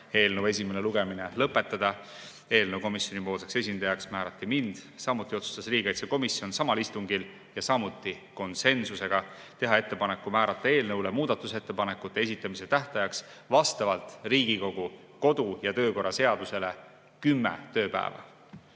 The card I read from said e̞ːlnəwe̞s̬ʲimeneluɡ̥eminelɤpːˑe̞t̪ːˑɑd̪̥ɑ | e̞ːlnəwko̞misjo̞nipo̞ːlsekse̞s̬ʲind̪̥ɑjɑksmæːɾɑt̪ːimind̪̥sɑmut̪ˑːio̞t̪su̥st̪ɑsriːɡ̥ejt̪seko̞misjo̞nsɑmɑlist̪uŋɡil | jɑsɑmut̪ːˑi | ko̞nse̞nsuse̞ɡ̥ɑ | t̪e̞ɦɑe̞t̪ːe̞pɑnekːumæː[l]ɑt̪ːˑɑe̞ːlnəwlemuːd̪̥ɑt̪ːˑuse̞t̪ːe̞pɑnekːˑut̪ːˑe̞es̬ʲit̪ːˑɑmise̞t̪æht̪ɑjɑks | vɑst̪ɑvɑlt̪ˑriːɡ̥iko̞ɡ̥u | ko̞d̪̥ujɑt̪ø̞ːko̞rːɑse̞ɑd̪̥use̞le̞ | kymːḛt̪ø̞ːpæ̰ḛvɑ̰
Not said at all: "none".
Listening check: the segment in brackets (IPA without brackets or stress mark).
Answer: ɾ